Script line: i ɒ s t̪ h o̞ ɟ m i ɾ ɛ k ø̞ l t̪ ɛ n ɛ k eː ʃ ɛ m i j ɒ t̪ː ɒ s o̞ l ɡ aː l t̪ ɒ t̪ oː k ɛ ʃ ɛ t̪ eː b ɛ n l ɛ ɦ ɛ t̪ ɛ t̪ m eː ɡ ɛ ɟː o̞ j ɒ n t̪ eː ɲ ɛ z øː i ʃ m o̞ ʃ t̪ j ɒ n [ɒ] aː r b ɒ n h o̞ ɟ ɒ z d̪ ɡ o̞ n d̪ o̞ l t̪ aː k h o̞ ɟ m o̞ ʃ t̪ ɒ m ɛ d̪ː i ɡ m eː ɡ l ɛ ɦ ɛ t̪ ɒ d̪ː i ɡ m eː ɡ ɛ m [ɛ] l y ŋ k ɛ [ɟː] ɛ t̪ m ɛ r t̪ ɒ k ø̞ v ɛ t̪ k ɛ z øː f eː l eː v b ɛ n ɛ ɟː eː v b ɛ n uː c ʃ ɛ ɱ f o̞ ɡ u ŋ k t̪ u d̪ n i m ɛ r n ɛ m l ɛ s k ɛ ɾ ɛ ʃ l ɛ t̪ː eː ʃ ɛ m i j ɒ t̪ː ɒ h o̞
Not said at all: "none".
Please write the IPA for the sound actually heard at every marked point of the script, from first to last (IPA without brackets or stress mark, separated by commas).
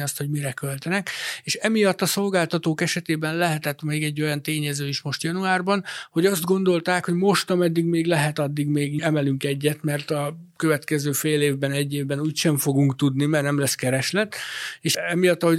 u, ɛ, ɟː